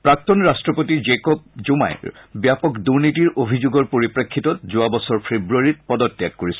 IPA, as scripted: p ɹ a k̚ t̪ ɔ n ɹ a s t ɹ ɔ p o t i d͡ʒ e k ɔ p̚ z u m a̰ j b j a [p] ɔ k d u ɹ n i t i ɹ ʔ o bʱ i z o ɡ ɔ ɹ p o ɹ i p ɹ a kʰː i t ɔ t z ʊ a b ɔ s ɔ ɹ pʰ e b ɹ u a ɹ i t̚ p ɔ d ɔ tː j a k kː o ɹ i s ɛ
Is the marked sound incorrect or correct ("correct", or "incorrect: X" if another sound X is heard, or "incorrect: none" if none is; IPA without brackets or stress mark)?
correct